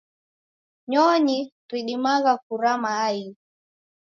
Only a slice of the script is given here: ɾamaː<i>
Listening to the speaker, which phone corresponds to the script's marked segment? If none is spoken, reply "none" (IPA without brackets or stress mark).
i